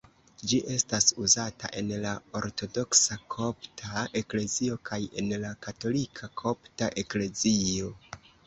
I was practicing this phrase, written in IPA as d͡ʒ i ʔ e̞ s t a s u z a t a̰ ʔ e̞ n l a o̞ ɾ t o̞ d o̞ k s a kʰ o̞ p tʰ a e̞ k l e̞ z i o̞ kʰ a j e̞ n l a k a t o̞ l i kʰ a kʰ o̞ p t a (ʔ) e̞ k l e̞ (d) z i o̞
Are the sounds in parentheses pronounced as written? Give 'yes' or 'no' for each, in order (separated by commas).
yes, no